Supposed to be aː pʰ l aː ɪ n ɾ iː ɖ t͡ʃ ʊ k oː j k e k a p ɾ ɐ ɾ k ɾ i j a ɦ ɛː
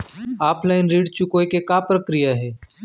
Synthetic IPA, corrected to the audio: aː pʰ l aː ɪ n ɾ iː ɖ t͡ʃ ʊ k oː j k e k a p ɾ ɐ k ɾ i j a ɦ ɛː